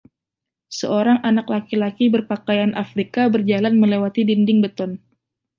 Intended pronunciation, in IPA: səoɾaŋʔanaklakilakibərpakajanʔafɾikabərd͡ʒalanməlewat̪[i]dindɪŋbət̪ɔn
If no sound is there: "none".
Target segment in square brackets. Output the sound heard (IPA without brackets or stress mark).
i